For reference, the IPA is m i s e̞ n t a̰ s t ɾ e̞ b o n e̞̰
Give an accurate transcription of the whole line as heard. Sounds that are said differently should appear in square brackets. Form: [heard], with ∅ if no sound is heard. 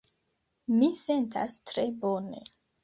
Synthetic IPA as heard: m i s e̞ n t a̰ s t ɾ e̞ b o n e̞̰